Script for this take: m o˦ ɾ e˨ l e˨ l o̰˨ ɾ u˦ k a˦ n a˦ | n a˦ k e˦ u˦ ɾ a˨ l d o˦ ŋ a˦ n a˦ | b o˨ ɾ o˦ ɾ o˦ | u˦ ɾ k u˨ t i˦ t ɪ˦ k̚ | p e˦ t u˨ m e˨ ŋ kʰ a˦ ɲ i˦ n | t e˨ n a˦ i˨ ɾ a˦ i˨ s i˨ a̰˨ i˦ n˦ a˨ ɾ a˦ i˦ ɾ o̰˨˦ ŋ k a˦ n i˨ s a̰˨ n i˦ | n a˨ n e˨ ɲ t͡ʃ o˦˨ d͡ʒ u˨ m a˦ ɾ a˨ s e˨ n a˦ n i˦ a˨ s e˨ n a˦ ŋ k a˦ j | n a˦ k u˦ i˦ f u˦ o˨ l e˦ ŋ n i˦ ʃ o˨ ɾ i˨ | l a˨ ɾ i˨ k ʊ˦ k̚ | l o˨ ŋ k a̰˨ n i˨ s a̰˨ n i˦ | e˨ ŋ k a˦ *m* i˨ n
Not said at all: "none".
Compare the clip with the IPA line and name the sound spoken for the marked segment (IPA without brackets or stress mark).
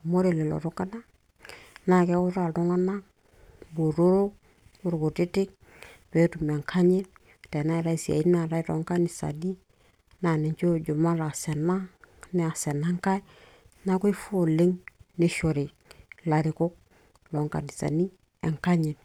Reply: ɲ